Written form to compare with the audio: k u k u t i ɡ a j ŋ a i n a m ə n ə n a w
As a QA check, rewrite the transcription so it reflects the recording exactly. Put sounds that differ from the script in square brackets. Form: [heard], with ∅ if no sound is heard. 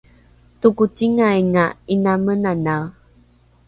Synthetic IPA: [t] u k u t i [ŋ] a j ŋ a i n a m ə n [a] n a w

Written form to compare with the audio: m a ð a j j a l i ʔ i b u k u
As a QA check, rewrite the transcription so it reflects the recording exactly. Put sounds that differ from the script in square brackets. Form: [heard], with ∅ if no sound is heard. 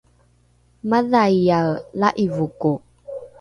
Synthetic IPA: m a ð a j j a l [a] ʔ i [v] u k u

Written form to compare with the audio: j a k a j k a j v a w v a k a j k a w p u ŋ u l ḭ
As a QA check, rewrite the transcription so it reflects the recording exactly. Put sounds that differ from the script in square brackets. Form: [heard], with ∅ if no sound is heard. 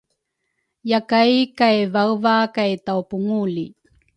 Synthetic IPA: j a k a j k a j v a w v a k a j [t] a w p u ŋ u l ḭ

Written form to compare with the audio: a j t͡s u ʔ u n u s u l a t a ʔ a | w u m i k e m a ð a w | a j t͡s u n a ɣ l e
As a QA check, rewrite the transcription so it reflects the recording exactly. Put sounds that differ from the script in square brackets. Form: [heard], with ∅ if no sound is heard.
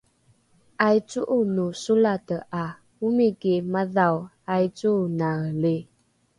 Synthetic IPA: a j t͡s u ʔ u n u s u l a t [ə] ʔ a | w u m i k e m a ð a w | a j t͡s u n a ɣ l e

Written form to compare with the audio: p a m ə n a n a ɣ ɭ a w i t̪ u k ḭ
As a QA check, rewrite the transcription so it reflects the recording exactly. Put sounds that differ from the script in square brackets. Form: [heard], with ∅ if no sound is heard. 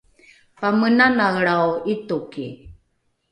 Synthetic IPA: p a m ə n a n a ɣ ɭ a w i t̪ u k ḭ

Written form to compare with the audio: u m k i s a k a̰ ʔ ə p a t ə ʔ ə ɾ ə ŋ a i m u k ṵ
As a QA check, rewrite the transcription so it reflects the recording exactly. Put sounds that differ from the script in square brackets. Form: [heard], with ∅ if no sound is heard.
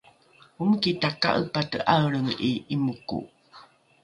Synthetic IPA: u m k i [t] a k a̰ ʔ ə p a t ə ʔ [a] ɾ ə ŋ [i] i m u k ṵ

